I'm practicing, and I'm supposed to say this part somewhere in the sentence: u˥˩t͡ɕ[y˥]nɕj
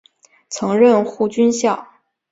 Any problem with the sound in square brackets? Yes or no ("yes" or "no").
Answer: no